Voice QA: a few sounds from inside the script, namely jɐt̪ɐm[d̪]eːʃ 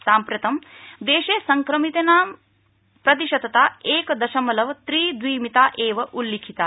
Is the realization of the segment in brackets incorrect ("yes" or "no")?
no